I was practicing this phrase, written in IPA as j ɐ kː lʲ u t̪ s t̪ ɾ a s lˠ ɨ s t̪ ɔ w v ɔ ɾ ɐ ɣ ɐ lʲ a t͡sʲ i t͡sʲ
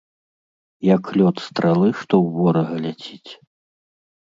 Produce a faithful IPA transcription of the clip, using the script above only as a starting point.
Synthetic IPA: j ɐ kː lʲ ɔ t̪ s t̪ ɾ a lˠ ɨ ʂ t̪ ɔ w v ɔ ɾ ɐ ɣ ɐ lʲ a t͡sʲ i t͡sʲ